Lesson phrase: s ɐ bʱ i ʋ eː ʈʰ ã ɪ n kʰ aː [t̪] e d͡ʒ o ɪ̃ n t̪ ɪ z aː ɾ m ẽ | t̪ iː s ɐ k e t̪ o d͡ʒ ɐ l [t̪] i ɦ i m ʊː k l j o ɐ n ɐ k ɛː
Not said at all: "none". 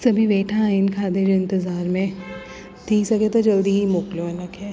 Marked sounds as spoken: d̪, d̪

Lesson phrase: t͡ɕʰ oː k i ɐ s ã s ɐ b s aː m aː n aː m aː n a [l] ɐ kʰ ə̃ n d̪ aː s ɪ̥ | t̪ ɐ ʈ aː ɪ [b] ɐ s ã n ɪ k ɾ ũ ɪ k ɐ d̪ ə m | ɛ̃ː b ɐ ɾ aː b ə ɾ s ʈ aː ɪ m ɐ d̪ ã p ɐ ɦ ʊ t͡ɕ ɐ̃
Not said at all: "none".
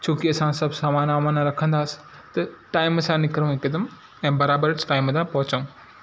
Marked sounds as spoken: ɾ, m

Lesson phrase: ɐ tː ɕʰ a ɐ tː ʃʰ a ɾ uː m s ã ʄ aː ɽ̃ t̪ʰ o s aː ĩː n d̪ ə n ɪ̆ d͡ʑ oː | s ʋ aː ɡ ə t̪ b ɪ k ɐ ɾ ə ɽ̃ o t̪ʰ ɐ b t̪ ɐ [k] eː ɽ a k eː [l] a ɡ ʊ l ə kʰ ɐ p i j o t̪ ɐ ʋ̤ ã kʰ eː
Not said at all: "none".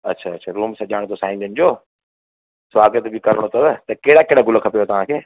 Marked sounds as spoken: k, ɽ

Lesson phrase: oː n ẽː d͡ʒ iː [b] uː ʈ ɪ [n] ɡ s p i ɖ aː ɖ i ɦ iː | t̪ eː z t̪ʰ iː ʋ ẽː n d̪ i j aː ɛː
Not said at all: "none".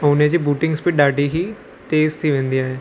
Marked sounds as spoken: b, ŋ

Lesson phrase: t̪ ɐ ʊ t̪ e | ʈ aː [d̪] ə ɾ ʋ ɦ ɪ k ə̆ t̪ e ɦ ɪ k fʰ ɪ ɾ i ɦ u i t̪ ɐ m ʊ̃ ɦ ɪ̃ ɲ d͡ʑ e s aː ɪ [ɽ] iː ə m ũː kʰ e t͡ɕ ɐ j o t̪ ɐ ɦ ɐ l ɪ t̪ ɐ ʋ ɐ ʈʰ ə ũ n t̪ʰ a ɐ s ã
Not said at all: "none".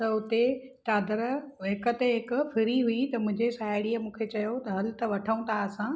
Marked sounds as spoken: d̪, ɽ

